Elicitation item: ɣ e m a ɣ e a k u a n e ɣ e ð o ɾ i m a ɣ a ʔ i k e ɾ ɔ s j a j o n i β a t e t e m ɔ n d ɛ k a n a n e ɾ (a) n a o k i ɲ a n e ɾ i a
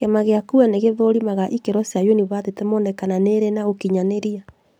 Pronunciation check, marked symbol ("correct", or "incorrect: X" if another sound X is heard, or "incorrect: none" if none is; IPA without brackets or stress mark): incorrect: e